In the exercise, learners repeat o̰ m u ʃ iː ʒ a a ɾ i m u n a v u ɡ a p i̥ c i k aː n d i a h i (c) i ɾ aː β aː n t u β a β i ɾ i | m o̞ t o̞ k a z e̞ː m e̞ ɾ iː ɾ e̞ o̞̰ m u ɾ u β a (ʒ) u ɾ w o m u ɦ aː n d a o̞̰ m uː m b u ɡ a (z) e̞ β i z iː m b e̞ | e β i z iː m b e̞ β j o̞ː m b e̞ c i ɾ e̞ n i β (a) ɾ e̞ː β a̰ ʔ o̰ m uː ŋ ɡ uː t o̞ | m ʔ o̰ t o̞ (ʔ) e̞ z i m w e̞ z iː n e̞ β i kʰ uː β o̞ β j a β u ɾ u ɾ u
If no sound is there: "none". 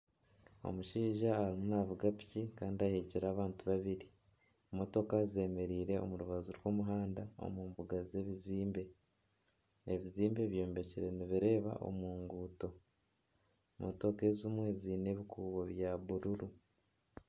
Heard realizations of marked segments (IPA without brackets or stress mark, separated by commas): c, z, z, i, k